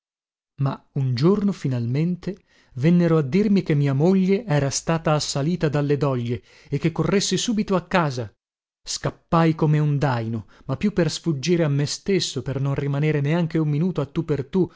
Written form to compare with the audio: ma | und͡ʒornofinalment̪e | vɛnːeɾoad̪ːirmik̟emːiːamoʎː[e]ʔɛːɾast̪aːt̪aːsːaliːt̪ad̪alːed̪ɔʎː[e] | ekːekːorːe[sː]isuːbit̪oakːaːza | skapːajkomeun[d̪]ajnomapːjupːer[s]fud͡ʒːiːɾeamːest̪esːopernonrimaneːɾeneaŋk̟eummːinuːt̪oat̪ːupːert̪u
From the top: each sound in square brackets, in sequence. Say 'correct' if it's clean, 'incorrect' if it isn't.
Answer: correct, correct, correct, correct, correct

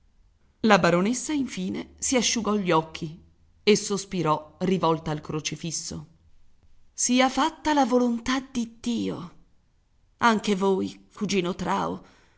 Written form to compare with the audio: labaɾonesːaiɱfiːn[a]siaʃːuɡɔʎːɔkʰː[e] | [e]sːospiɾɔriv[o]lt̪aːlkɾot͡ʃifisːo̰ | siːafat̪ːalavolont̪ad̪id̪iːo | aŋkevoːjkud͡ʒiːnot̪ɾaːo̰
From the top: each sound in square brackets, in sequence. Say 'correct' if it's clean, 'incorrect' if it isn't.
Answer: incorrect, incorrect, correct, incorrect

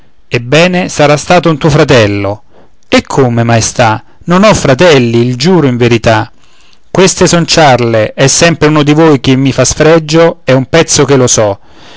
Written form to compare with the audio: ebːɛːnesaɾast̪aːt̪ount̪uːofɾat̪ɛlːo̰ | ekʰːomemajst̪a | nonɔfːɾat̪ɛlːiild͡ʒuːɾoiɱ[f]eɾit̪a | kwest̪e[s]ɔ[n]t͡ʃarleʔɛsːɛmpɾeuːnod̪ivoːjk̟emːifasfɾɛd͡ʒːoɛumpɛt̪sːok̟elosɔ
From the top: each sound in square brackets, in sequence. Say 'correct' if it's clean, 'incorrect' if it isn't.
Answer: incorrect, correct, correct

